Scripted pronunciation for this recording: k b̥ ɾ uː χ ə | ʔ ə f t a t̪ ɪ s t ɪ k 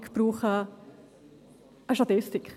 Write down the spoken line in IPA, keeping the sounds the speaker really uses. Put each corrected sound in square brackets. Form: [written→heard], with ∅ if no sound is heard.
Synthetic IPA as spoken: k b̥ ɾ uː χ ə | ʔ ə [f→ʃ] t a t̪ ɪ s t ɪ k